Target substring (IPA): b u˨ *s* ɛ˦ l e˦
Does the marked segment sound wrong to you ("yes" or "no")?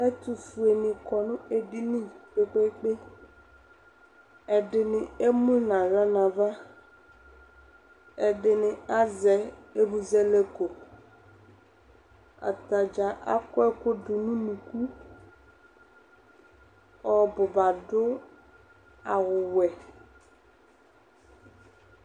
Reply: yes